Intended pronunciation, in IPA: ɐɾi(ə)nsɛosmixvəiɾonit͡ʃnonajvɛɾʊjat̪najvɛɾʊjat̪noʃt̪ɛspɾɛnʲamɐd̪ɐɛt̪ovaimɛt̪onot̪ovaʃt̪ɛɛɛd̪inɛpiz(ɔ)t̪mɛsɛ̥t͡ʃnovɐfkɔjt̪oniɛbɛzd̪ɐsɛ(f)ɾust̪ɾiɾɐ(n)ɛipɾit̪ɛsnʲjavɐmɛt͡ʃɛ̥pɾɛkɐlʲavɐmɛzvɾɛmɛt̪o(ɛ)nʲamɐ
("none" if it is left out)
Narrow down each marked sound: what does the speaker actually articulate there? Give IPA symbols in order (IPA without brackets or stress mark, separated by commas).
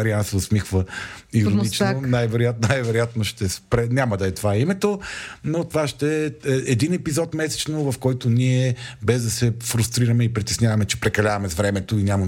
a, ɔ, f, m, i